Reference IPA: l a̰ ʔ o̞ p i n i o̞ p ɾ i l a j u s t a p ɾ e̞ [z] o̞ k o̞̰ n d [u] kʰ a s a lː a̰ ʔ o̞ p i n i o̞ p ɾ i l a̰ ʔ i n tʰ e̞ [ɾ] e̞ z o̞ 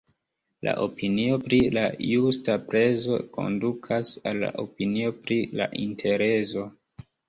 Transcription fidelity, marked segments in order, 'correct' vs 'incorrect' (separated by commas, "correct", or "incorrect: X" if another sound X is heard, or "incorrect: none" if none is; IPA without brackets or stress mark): correct, correct, correct